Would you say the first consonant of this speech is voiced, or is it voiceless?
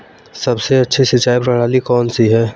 voiceless